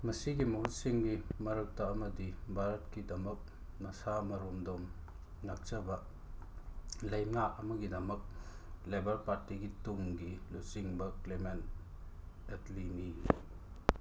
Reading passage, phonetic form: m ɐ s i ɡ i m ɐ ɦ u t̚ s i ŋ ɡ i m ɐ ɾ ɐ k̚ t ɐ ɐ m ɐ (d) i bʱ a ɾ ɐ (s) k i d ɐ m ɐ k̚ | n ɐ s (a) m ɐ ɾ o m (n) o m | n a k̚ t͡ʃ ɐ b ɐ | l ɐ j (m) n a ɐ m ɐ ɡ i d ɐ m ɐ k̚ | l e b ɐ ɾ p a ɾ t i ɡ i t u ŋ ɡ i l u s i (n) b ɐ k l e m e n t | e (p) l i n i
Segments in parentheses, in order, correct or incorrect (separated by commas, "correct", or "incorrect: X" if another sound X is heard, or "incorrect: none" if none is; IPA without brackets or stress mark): correct, incorrect: t, correct, incorrect: d, correct, incorrect: ŋ, incorrect: t